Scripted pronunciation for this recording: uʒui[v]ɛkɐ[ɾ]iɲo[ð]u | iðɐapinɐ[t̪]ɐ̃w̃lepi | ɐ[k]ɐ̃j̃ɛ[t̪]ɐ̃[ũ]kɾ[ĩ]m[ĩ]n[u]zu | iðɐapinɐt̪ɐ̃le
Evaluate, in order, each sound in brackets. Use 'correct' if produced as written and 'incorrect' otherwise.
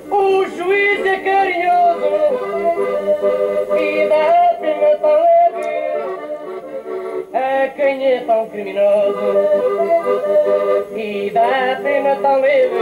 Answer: incorrect: z, correct, incorrect: z, correct, correct, correct, incorrect: w̃, incorrect: i, incorrect: i, incorrect: o

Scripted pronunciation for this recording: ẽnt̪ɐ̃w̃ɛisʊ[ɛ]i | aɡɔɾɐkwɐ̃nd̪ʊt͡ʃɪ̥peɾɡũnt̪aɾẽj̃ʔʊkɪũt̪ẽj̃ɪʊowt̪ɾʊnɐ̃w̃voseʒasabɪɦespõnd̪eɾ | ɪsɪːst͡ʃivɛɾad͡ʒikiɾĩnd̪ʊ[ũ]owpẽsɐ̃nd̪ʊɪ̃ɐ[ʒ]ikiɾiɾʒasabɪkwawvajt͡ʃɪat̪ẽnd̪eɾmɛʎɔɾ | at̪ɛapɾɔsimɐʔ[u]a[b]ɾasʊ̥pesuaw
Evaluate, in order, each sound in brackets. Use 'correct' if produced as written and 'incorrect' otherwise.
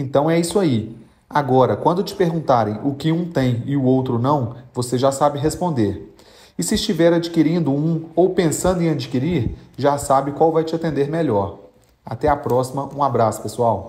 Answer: incorrect: a, correct, incorrect: d͡ʒ, incorrect: ũ, correct

